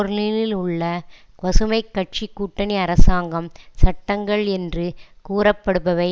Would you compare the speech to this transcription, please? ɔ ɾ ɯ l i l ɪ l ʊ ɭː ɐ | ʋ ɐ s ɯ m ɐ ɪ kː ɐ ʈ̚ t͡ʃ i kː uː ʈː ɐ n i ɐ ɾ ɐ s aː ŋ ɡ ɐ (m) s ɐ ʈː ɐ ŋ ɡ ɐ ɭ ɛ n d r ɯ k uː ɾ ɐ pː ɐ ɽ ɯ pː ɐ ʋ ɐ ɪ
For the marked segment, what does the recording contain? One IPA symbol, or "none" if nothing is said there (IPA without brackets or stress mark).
m